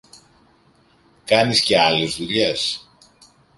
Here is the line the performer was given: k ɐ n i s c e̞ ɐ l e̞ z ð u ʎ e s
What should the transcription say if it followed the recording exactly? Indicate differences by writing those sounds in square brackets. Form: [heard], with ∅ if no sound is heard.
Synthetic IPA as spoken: k ɐ n i s c e̞ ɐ l e̞ z ð u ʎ e s